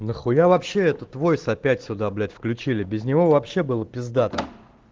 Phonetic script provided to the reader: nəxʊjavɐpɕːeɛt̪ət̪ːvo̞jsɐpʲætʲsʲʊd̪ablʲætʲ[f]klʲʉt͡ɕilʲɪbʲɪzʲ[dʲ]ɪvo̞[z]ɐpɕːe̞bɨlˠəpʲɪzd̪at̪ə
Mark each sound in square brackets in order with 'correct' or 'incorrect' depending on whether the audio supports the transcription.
correct, incorrect: nʲ, incorrect: v

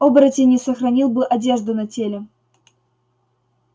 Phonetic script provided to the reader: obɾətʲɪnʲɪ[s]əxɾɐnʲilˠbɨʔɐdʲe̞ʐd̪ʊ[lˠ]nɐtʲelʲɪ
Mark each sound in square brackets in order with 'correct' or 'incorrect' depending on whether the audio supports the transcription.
correct, incorrect: none

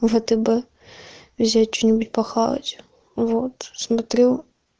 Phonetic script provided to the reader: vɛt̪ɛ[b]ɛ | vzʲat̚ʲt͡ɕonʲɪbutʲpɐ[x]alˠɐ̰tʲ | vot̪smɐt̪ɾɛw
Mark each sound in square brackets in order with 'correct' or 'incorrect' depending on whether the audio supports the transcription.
correct, correct

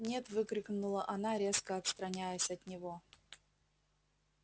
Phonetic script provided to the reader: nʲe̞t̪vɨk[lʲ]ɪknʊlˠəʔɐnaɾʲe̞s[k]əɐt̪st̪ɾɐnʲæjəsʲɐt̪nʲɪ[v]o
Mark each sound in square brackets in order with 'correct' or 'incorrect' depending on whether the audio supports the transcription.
incorrect: ɾʲ, correct, correct

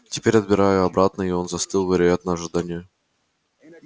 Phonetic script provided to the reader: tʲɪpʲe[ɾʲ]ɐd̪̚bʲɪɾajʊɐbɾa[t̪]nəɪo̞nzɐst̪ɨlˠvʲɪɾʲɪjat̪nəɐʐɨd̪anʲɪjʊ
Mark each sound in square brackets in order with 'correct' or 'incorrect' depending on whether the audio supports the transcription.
correct, correct

